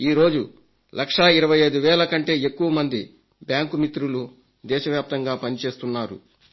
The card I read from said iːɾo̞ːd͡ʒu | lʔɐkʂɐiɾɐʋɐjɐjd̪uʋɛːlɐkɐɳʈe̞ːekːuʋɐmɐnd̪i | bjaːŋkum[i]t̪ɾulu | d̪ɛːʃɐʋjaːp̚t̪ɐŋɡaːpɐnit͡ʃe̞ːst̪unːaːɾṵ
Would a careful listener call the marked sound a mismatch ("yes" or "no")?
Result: no